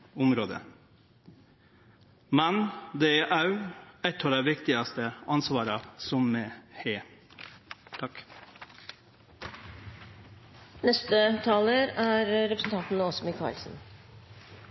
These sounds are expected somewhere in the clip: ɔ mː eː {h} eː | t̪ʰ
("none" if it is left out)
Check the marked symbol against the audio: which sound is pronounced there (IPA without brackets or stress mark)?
h